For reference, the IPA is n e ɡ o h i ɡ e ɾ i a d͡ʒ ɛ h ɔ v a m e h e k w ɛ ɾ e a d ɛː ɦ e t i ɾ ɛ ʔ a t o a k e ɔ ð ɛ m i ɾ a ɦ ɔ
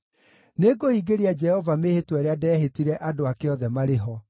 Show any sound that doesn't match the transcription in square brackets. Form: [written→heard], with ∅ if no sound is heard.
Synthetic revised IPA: n e ɡ o h i ɡ e ɾ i a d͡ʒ ɛ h ɔ v a m e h e [k→t] w ɛ ɾ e a d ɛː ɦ e t i ɾ ɛ ʔ a [t→d] o a k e ɔ ð ɛ m [i→a] ɾ [a→e] ɦ ɔ